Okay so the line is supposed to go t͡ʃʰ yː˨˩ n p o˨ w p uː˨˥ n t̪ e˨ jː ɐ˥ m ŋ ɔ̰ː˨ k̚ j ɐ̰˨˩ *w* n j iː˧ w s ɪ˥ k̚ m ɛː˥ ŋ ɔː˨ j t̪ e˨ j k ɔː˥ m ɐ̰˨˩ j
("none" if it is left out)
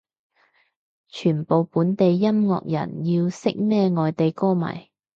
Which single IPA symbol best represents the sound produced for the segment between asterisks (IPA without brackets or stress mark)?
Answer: none